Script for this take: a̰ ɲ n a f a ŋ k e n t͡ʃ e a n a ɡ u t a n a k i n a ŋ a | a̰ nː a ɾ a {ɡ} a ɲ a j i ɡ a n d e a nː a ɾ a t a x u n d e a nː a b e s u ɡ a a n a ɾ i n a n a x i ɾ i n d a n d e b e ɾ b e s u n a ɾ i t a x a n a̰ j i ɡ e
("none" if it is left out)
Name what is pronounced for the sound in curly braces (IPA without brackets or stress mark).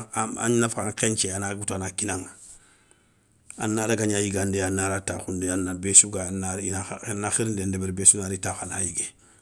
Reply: ɡ